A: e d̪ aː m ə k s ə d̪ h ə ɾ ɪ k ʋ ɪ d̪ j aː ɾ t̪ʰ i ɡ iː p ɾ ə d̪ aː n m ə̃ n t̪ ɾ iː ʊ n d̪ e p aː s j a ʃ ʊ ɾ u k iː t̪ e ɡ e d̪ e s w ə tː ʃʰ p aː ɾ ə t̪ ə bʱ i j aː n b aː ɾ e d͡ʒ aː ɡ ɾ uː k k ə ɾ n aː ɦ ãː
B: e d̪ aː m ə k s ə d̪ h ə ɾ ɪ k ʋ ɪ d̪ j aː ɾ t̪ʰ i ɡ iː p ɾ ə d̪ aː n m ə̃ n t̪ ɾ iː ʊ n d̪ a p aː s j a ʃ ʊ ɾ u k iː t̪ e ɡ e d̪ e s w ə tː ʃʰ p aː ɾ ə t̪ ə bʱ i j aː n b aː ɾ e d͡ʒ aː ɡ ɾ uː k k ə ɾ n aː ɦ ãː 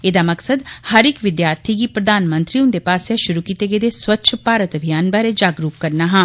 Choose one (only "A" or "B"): A